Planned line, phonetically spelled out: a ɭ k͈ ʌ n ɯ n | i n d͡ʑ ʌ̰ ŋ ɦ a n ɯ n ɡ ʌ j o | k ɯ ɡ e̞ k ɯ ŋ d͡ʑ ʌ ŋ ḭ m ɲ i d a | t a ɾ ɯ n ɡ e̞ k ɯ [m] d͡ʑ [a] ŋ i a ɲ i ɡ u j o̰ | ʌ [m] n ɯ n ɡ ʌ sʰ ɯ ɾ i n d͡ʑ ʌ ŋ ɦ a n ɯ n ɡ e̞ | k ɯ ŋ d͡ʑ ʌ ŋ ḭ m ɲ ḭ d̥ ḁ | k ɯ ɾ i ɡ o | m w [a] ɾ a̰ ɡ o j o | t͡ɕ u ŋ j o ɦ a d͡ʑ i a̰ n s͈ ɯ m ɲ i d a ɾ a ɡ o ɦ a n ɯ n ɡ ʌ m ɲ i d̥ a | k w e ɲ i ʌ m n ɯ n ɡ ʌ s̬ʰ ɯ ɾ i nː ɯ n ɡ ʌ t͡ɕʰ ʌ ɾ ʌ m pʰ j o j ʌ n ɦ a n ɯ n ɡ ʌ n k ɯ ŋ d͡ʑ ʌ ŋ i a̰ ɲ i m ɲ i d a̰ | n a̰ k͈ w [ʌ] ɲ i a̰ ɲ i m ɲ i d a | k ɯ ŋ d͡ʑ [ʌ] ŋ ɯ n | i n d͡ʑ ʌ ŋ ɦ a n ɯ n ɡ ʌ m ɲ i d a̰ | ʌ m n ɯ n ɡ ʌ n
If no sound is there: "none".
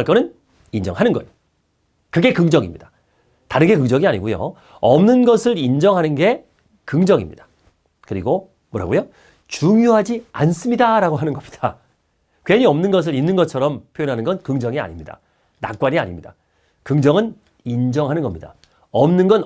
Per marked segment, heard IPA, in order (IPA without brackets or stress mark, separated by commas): ŋ, ʌ, m, ʌ, a, ʌ